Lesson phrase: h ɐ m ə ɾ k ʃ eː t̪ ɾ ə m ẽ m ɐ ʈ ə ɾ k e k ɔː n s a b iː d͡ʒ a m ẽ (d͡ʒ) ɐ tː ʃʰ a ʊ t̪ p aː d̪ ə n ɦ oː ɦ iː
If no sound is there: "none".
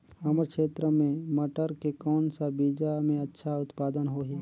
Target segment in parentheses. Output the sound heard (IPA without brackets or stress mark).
none